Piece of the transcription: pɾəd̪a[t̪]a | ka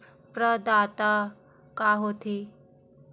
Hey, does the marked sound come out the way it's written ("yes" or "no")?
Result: yes